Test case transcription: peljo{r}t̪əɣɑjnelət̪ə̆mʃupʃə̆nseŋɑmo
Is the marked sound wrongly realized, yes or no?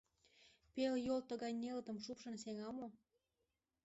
yes